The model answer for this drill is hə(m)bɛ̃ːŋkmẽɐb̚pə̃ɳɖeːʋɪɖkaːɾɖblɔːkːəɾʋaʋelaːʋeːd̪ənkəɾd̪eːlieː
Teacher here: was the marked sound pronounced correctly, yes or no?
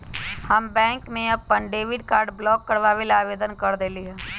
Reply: yes